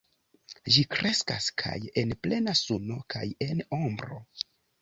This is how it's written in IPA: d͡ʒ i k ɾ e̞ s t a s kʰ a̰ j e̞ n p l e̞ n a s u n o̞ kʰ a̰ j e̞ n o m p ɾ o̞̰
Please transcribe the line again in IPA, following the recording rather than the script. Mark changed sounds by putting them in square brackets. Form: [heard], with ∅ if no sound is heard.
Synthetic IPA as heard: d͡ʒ i k ɾ e̞ s [k] a s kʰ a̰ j e̞ n p l e̞ n a s u n o̞ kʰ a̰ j e̞ n o m [b] ɾ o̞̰